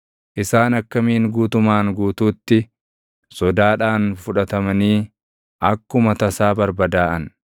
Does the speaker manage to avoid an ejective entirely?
yes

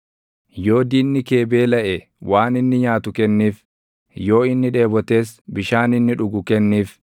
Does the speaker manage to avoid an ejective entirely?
yes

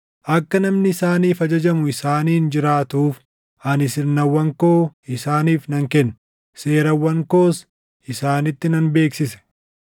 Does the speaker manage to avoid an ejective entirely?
yes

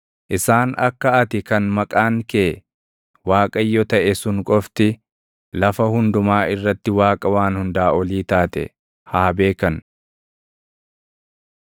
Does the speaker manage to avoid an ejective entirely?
no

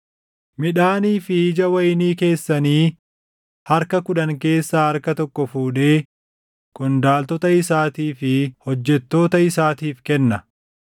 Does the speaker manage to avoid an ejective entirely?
yes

